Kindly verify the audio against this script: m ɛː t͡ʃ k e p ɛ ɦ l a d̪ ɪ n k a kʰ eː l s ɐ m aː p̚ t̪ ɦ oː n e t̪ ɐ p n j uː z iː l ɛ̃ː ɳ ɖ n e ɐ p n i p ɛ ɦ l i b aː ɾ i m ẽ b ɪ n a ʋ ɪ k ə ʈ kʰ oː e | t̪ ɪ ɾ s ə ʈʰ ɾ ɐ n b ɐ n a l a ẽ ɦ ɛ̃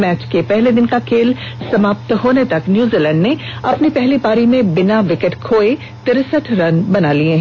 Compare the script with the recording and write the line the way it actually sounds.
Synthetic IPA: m ɛː t͡ʃ k e p ɛ ɦ l e d̪ ɪ n k a kʰ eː l s ɐ m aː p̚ t̪ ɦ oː n e t̪ ɐ k n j uː z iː l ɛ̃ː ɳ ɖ n e ɐ p n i p ɛ ɦ l i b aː ɾ i m ẽ b ɪ n a ʋ ɪ k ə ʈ kʰ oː e | t̪ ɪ ɾ s ə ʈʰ ɾ ɐ n b ɐ n a l i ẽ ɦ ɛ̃